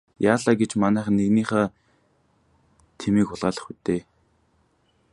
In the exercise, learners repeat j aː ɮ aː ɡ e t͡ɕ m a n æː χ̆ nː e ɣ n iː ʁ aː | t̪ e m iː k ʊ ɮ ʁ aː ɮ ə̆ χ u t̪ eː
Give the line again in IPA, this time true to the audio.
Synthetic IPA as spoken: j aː ɮ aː ɡ e t͡ɕ m a n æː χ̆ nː e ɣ n iː χ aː | t̪ʰ e m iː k ʊ ɮ ʁ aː ɮ ə̆ χ u t̪ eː